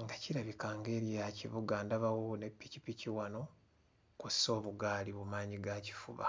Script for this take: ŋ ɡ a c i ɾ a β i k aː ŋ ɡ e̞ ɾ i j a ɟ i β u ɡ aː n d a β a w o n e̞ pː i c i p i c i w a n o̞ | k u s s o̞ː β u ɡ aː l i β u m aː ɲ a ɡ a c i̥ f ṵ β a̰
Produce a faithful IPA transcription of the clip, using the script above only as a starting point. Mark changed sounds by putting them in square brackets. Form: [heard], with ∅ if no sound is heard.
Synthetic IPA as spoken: ŋ ɡ a c i ɾ a β i k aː ŋ ɡ e̞ ɾ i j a [c] i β u ɡ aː n d a β a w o n e̞ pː i c i p i c i w a n o̞ | k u s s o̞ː β u ɡ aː l i β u m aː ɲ [i] ɡ a c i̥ f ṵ β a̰